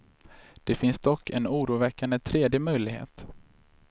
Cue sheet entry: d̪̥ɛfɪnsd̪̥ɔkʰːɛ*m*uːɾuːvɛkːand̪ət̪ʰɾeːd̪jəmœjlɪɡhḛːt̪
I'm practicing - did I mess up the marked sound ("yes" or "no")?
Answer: yes